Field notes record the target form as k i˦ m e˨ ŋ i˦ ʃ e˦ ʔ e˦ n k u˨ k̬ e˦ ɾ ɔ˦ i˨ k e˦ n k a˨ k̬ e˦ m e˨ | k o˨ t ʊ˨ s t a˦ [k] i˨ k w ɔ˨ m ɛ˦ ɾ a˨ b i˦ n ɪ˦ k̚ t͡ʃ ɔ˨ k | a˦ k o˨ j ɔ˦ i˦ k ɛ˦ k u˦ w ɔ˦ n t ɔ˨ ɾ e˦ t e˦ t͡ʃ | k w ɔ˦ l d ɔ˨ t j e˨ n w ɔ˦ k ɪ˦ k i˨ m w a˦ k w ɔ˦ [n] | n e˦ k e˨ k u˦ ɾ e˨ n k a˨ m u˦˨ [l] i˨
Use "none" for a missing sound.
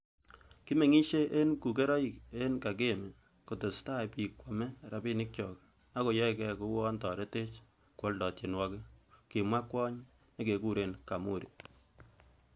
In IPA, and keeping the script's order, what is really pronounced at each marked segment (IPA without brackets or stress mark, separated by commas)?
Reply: p, ɲ, ɾ